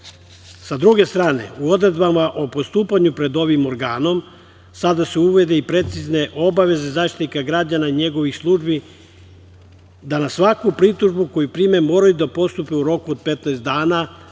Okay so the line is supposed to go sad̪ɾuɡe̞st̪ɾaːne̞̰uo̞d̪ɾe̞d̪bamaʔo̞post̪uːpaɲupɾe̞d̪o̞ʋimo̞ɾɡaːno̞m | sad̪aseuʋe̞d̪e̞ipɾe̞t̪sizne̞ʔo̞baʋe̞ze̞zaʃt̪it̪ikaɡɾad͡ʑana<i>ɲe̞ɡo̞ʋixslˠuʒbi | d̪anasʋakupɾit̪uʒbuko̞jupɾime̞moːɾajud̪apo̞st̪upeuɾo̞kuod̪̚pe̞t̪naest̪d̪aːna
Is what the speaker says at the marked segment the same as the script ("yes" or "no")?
yes